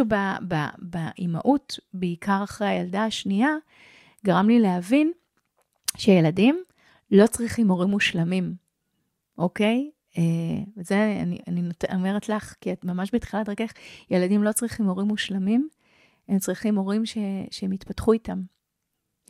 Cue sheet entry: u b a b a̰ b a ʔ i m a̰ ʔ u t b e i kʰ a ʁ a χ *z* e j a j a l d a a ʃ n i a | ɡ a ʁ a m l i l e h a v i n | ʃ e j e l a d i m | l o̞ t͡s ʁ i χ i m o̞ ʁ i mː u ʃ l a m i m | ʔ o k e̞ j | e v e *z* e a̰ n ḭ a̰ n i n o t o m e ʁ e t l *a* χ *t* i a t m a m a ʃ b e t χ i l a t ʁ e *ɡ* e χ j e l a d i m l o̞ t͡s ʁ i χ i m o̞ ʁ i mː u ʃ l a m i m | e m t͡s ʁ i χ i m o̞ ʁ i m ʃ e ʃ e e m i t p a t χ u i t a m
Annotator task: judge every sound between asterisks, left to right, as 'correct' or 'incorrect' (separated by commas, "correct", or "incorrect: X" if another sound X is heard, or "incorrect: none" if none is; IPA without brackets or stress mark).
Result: incorrect: ʁ, correct, correct, incorrect: k, incorrect: k